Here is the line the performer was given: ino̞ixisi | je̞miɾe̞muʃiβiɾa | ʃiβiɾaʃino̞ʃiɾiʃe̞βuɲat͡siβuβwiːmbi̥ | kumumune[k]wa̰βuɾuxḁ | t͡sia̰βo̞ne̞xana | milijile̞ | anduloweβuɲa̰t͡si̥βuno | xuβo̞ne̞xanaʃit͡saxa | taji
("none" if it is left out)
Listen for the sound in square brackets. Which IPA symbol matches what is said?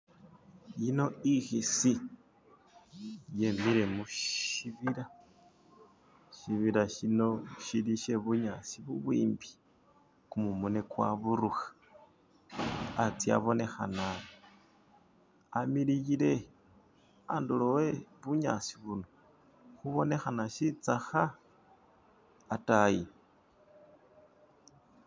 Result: k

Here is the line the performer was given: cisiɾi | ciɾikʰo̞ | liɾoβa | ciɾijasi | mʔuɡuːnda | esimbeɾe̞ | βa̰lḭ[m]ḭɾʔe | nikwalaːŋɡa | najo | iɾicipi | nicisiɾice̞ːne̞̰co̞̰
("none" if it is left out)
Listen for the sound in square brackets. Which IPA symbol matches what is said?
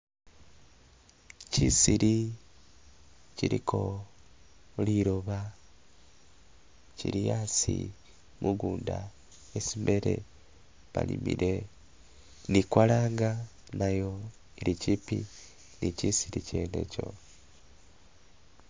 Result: m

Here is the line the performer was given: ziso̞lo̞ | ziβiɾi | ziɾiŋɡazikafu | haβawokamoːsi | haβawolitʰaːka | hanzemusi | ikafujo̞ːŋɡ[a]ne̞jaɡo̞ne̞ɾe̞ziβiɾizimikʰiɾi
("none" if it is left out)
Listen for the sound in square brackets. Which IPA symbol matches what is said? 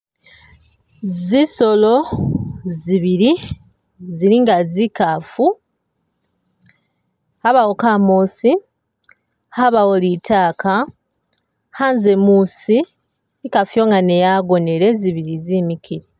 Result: a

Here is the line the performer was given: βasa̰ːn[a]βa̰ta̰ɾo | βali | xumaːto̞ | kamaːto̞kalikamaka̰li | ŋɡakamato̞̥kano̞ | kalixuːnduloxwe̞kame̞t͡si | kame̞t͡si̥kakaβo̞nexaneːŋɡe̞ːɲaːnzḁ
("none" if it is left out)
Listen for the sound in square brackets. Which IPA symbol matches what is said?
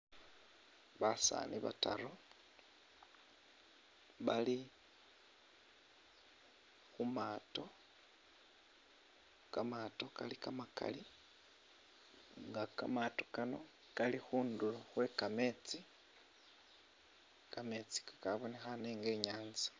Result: i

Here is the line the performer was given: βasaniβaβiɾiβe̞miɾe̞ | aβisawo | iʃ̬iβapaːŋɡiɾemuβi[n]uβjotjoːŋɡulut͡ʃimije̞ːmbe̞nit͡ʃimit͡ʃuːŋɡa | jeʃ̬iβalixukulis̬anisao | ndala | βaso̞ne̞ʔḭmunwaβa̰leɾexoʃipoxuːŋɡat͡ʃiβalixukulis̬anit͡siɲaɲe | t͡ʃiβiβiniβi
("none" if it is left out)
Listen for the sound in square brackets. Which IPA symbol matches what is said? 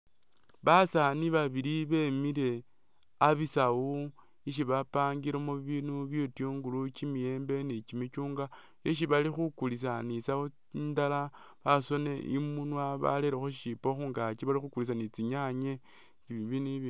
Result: n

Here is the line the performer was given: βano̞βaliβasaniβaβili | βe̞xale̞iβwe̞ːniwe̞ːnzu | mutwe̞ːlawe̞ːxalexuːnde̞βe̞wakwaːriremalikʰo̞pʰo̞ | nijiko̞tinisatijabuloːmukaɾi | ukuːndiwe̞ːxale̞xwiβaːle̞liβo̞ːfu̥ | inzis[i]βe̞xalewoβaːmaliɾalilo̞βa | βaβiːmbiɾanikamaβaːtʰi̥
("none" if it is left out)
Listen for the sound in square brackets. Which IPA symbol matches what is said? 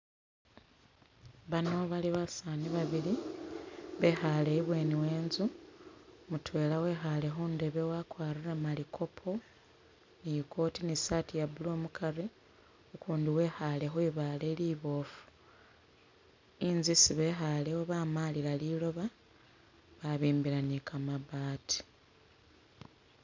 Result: i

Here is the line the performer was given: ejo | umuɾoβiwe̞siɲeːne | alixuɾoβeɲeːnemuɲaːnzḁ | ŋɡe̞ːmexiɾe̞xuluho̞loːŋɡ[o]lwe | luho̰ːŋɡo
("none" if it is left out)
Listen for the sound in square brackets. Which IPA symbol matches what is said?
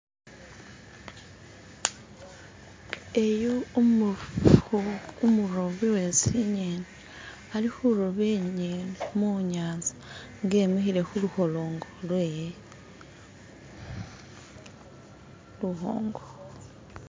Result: o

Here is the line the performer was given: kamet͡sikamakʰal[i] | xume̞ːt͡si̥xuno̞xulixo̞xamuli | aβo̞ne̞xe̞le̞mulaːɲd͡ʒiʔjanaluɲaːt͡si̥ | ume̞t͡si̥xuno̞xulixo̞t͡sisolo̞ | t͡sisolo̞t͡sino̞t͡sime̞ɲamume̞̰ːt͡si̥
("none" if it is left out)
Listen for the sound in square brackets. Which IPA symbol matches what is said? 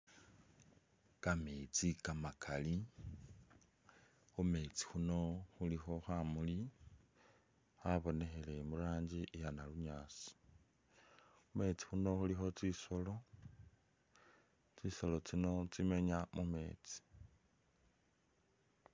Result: i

